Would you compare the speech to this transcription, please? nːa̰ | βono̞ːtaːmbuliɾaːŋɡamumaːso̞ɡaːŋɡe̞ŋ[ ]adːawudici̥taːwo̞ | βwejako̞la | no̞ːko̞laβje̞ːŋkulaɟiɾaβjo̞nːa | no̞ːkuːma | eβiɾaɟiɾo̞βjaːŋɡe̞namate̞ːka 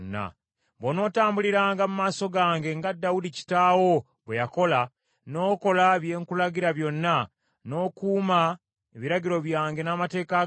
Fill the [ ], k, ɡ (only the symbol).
ɡ